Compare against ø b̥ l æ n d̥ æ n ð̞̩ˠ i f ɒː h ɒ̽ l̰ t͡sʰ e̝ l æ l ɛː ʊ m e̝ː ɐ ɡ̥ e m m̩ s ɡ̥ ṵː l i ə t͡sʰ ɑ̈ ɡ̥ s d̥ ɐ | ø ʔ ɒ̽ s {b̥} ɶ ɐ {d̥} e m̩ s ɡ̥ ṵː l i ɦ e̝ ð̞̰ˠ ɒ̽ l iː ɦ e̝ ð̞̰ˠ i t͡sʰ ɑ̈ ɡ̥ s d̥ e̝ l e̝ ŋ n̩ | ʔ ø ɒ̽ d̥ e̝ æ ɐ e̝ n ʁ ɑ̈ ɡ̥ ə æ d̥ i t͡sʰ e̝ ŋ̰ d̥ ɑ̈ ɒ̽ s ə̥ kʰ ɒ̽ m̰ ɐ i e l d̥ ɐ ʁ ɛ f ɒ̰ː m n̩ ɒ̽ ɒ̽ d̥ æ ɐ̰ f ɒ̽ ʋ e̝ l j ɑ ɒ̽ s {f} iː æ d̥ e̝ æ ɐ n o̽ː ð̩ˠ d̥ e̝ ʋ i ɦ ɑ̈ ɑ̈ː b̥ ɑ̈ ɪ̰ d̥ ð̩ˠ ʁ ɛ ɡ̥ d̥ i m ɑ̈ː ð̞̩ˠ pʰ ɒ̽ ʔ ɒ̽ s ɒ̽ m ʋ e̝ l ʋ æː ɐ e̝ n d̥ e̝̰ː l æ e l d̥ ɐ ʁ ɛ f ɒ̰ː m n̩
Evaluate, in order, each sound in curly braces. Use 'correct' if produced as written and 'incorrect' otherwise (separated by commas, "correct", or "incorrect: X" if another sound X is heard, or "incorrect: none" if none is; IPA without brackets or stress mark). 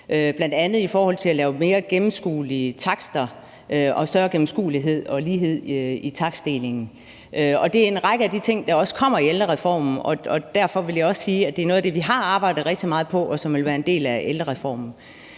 incorrect: d̥, incorrect: ɡ̥, incorrect: s